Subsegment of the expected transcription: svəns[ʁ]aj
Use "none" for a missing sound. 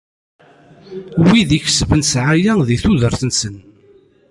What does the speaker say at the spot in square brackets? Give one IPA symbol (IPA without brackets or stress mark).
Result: ʕ